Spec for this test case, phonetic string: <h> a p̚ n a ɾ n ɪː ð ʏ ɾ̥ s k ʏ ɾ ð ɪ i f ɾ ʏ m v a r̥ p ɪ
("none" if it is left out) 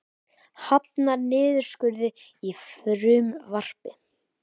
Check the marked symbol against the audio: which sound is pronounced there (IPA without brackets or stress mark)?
h